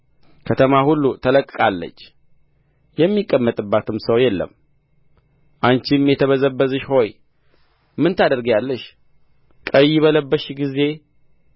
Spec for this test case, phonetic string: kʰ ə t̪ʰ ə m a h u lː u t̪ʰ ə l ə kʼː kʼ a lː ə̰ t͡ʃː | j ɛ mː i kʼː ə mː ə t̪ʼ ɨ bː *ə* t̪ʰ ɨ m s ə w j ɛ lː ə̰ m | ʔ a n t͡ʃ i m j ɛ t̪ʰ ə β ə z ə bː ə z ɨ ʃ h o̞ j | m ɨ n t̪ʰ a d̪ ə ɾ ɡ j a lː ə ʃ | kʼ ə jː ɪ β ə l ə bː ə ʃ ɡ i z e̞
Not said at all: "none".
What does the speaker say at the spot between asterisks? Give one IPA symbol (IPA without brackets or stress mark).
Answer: a